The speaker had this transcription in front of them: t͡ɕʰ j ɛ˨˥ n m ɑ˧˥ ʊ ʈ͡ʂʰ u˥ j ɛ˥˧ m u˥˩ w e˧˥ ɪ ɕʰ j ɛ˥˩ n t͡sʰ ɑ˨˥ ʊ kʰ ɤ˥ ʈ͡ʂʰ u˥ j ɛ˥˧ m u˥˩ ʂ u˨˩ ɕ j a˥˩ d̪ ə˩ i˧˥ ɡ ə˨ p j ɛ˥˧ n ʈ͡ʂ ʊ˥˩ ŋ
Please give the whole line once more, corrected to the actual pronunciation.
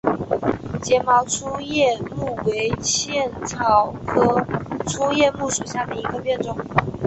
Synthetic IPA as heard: t͡ɕ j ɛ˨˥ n m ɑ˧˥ ʊ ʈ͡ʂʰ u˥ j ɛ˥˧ m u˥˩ w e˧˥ ɪ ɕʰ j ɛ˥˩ n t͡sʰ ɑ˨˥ ʊ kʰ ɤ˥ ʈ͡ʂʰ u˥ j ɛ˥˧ m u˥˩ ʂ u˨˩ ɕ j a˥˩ d̪ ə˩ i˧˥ ɡ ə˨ p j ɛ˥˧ n ʈ͡ʂ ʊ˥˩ ŋ

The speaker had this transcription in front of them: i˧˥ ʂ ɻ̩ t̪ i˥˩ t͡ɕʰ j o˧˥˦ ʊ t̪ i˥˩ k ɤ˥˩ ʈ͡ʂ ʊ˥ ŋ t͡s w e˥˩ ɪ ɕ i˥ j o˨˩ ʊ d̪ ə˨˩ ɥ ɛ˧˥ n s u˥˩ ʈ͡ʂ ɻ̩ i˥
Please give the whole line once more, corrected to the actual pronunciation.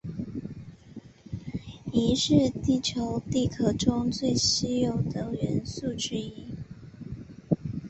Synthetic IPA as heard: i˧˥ ʂ ɻ̩ t̪ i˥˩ t͡ɕʰ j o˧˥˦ ʊ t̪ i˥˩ kʰ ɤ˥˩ ʈ͡ʂ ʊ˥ ŋ t͡s w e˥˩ ɪ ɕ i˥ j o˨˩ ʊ d̪ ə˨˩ ɥ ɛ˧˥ n s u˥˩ ʈ͡ʂ ɻ̩ i˥

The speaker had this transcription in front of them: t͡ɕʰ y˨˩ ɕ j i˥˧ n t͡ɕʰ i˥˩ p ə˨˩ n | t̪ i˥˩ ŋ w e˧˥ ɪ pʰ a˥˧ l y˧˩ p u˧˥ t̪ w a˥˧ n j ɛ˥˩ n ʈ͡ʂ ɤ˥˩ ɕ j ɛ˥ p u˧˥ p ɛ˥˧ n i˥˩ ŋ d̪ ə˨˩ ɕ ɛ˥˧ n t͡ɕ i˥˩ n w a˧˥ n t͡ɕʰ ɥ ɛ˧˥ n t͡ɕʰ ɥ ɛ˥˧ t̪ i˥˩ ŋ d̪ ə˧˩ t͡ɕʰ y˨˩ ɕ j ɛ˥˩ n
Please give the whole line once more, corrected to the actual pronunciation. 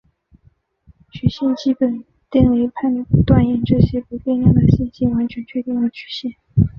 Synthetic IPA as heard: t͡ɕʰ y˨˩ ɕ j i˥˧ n t͡ɕ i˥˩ p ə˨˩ n | t̪ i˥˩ ŋ w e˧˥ ɪ pʰ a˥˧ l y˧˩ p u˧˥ t̪ w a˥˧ n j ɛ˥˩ n ʈ͡ʂ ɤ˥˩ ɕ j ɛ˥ p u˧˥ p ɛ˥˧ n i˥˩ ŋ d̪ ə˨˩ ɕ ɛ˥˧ n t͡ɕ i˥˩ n w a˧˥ n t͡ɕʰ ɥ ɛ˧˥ n t͡ɕʰ ɥ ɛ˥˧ t̪ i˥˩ ŋ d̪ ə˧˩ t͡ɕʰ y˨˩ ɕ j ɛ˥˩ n

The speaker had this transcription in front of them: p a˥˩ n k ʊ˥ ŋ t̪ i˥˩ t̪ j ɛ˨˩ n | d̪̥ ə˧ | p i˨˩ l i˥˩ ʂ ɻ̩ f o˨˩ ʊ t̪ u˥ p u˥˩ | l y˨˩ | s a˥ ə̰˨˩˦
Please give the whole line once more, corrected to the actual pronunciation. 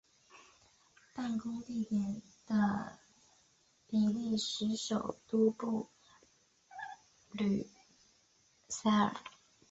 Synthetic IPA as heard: p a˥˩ n k ʊ˥ ŋ t̪ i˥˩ t̪ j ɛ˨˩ n | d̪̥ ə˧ | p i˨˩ l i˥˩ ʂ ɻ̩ ʂ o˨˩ ʊ t̪ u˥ p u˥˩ | l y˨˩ | s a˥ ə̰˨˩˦

